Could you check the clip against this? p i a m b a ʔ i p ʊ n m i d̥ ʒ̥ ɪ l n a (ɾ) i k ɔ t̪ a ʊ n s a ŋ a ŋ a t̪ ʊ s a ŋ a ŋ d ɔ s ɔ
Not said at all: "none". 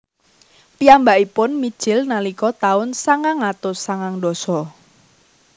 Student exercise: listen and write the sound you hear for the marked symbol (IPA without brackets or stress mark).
l